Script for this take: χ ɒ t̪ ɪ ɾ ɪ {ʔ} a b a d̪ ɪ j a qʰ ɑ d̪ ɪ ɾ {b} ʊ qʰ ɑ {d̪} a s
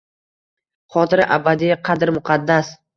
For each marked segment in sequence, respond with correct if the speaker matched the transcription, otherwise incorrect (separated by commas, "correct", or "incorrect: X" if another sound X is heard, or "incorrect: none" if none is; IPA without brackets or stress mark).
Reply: correct, incorrect: m, incorrect: d̪ː